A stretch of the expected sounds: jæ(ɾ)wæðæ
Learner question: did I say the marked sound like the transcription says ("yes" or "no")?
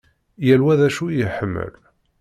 no